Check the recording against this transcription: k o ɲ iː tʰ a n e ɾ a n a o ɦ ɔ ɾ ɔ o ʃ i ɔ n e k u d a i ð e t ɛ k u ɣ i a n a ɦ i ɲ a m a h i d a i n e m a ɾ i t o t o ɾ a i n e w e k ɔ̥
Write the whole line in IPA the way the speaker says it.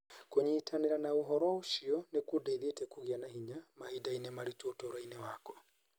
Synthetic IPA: k o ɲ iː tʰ a n e ɾ a n a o ɦ ɔ ɾ ɔ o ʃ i ɔ n e k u d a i ð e t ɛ k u ɣ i a n a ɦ i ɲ a m a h i d a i n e m a ɾ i t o t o ɾ a i n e w a k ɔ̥

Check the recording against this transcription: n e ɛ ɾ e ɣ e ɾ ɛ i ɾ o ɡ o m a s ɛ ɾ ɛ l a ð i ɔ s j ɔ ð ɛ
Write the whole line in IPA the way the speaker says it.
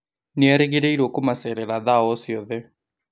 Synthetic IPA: n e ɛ ɾ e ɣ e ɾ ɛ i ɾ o k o m a s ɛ ɾ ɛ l a ð a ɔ s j ɔ ð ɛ

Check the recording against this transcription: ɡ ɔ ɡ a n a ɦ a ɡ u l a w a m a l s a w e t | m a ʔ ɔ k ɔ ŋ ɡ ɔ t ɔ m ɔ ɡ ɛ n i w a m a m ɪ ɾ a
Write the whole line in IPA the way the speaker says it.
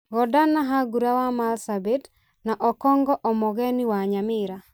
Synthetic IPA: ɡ ɔ d a n a ɦ a ɡ u ɾ a w a m a l s a b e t | n a ʔ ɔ k ɔ ŋ ɡ ɔ ʔ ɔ m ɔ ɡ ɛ n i w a ɲ a m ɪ ɾ a

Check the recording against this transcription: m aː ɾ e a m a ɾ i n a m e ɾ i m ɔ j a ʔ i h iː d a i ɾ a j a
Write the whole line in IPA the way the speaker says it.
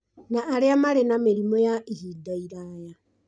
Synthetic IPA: n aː ɾ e a m a ɾ e n a m e ɾ i m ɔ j a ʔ i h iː d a i ɾ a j a

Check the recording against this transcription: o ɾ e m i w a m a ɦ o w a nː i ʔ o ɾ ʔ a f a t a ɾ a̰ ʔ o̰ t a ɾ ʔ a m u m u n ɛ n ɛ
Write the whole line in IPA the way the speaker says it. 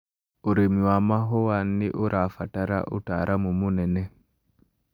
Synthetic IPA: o ɾ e m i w a m a ɦ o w a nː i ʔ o ɾ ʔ a f a t a ɾ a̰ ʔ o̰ t a ɾ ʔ a m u m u n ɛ n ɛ

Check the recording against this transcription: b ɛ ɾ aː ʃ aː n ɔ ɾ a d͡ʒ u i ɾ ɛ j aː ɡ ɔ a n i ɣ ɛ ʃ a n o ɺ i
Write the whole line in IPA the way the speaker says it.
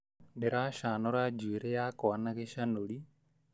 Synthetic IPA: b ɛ ɾ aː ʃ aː n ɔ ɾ a d͡ʒ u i ɾ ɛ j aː k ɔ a n a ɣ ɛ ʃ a n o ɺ i

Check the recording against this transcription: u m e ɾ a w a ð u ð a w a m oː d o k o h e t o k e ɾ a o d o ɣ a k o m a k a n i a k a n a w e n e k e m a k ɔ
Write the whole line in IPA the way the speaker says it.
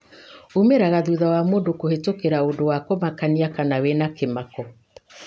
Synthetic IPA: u m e ɾ a ɣ a ð u ð a w a m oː d o k o h e t o k e ɾ a o d o w a k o m a k a n i a k a n a w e n a k e m a k ɔ

